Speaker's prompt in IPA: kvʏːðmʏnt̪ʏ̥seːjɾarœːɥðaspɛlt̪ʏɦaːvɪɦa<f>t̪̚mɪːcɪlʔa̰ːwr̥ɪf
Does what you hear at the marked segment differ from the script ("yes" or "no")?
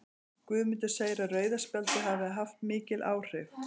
no